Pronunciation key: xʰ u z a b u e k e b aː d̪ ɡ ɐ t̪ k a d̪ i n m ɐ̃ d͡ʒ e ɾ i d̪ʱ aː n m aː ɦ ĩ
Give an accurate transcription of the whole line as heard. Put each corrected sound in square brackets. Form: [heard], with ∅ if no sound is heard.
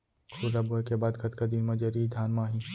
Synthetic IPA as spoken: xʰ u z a b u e k e b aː d̪ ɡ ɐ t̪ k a d̪ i n m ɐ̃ d͡ʒ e ɾ i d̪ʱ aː n m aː ɦ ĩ